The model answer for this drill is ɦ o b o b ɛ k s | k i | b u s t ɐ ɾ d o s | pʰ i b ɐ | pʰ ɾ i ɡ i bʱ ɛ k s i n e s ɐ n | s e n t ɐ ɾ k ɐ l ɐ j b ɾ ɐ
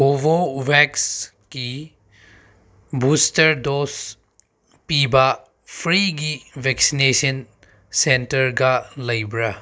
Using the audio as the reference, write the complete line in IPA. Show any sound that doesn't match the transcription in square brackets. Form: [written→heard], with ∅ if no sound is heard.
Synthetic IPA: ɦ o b o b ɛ k s | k i | b u s t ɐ ɾ d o s | [pʰ→p] i b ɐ | pʰ ɾ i ɡ i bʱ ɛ k s i n e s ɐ n | s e n t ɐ ɾ [k→ɡ] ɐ l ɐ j b ɾ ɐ